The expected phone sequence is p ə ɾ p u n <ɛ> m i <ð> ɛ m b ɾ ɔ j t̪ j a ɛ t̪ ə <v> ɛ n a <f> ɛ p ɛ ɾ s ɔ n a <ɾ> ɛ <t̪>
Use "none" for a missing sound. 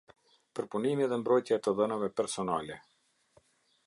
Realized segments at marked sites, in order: i, ð, ð, v, l, none

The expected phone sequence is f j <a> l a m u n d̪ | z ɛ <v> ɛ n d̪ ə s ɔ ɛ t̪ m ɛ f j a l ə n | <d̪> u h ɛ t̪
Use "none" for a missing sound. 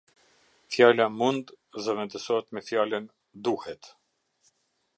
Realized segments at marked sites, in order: a, v, d̪

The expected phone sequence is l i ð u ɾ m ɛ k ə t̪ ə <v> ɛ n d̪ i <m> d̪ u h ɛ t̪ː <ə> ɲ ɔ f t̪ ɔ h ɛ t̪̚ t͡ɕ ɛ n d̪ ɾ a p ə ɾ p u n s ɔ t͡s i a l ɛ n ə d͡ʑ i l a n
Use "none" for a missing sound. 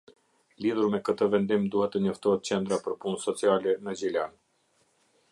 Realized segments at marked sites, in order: v, m, ə

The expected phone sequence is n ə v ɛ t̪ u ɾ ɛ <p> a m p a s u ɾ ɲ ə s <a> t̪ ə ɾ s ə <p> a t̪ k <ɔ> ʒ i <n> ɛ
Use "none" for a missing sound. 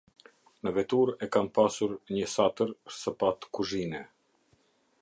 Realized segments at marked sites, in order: k, a, p, u, n

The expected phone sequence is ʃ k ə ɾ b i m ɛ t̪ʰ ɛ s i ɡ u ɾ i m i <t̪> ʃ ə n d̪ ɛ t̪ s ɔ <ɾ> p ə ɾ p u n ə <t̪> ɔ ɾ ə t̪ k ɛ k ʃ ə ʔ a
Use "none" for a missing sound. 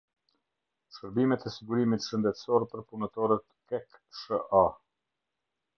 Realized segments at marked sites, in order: t̪, ɾ, t̪

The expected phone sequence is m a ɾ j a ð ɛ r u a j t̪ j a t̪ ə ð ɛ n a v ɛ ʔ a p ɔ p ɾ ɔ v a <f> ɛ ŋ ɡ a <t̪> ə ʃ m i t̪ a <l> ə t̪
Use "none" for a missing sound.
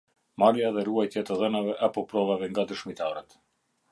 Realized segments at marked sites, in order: v, d̪, ɾ

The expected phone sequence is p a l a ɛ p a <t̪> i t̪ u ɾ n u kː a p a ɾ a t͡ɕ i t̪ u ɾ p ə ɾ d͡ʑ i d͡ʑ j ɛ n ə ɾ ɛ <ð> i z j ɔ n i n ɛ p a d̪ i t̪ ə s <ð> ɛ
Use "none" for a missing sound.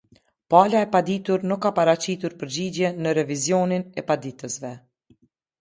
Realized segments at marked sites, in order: d̪, v, v

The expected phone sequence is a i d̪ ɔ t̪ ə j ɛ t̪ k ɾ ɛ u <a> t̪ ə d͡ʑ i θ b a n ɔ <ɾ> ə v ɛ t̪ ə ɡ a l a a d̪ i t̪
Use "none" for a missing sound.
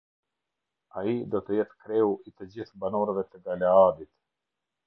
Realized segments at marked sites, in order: i, ɾ

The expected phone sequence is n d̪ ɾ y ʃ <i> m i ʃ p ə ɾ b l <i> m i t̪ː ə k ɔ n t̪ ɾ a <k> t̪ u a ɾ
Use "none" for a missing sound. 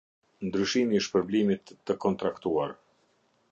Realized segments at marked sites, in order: i, i, k

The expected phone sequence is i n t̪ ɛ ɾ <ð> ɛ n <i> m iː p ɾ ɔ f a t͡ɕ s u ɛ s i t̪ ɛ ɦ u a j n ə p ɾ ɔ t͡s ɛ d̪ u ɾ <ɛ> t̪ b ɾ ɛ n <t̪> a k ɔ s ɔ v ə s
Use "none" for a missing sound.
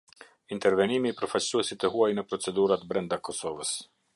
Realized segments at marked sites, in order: v, i, a, d̪

